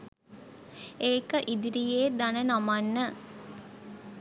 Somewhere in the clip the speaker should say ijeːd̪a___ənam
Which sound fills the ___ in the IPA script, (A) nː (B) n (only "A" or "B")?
B